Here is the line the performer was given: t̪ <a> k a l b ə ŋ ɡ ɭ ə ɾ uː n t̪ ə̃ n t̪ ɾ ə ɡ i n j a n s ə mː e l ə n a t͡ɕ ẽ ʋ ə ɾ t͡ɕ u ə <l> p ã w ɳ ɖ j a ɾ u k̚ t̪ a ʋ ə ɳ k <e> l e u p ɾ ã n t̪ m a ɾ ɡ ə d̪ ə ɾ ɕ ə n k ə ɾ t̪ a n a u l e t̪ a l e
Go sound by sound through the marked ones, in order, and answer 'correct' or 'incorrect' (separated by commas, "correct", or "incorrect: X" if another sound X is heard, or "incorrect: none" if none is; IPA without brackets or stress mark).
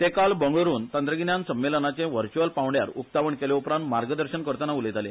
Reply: incorrect: e, correct, correct